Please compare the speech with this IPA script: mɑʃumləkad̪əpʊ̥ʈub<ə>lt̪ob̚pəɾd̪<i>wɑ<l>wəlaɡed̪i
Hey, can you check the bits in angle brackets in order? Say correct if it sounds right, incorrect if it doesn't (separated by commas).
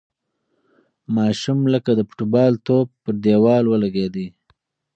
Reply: incorrect, incorrect, correct